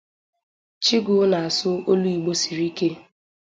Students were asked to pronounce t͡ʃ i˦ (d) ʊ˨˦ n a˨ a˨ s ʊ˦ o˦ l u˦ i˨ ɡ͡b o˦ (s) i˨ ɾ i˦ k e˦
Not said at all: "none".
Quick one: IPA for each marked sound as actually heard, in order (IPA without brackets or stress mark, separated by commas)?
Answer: ɡ, s